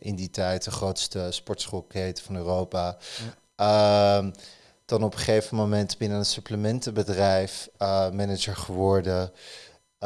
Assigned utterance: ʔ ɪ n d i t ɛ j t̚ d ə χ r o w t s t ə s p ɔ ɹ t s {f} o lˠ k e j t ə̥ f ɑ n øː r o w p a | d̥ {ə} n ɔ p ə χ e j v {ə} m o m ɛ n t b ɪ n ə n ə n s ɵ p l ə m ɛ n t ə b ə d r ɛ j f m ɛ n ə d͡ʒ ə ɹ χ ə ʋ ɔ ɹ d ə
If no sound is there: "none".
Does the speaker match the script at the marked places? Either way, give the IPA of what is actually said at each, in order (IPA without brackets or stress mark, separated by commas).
χ, ɑ, ə